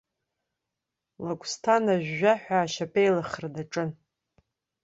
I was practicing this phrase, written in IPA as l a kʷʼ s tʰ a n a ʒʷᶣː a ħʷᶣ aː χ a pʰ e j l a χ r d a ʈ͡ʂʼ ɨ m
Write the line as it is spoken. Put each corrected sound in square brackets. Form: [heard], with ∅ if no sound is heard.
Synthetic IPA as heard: l a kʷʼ s tʰ a n a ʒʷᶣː a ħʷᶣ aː [ʃ] a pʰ e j l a χ r d a ʈ͡ʂʼ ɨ [n]